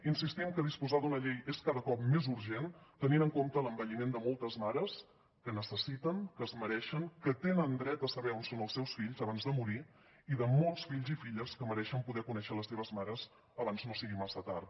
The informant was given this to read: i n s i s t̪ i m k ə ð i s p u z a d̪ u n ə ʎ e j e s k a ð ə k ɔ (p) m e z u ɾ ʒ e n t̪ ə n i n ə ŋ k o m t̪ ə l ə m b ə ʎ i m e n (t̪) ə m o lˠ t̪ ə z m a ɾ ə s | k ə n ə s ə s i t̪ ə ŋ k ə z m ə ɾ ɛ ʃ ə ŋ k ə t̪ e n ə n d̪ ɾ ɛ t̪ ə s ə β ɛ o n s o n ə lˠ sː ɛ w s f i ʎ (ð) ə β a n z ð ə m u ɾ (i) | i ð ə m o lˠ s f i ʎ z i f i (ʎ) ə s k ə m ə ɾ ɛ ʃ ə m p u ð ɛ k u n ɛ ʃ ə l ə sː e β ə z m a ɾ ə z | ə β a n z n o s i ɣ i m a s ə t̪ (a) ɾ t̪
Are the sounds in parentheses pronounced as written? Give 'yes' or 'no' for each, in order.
yes, no, no, yes, yes, yes

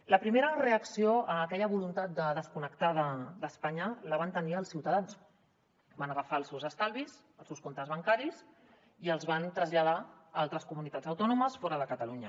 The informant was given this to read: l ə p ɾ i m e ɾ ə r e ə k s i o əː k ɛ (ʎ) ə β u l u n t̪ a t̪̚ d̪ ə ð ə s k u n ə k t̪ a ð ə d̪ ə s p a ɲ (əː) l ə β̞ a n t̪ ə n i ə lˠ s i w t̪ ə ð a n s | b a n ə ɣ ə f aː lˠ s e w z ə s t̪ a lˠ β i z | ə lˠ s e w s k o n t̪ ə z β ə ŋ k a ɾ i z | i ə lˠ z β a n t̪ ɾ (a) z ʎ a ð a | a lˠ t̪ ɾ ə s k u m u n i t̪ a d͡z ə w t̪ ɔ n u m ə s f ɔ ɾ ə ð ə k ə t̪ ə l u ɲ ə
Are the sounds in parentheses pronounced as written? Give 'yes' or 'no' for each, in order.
yes, no, no

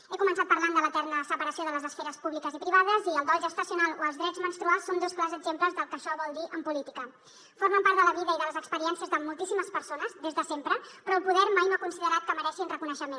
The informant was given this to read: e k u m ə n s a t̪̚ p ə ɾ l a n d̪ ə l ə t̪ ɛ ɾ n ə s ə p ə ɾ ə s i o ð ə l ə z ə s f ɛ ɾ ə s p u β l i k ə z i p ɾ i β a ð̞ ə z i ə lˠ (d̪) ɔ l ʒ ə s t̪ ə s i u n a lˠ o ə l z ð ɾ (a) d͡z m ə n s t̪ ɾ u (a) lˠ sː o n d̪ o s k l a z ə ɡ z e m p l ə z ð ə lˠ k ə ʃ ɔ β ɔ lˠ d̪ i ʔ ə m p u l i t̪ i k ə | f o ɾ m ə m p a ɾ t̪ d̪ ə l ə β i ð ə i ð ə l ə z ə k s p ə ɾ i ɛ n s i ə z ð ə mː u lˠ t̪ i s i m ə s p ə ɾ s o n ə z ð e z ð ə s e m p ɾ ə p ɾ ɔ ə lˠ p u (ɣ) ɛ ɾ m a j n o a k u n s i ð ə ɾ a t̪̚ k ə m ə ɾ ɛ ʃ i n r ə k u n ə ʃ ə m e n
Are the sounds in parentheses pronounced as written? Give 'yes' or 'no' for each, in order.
yes, no, yes, no

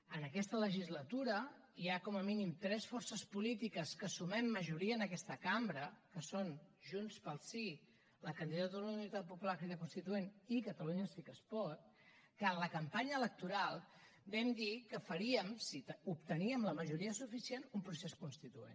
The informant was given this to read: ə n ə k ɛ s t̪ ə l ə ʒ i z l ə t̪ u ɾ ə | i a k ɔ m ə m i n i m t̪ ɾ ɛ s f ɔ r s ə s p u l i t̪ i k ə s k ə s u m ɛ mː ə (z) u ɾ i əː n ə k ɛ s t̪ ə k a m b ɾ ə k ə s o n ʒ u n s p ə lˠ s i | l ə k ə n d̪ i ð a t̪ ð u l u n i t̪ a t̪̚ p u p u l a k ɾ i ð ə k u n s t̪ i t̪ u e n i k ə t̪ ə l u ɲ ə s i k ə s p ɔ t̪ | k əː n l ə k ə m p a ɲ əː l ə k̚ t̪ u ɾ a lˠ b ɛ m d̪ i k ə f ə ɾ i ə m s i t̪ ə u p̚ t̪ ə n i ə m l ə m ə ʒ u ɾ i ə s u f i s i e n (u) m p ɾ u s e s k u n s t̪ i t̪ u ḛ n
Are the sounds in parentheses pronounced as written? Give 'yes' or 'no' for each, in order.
no, yes

